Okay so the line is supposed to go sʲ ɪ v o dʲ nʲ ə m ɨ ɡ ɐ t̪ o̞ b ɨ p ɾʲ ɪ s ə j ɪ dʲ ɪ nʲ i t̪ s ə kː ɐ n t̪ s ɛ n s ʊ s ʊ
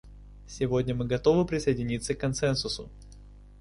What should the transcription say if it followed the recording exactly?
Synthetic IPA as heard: sʲ ɪ v o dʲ nʲ ə m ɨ ɡ ɐ t̪ o̞ v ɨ p ɾʲ ɪ s ə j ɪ dʲ ɪ nʲ i t̪ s ə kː ɐ n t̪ s ɛ n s ʊ s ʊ